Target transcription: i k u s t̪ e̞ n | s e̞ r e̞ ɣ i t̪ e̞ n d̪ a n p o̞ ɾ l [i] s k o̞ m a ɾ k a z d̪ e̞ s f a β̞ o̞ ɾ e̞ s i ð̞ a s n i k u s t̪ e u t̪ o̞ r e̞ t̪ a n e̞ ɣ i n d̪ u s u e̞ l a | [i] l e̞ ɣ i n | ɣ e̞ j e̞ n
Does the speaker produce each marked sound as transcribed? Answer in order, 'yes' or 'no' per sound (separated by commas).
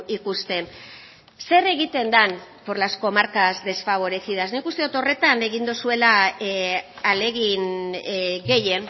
no, no